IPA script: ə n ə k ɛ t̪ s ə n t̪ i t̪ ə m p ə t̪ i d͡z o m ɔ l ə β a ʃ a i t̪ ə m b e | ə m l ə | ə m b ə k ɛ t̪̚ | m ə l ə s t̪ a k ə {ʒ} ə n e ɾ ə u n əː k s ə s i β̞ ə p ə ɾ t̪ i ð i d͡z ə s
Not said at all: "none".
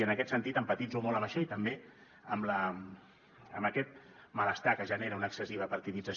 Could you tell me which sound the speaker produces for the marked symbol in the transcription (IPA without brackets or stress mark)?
ʒ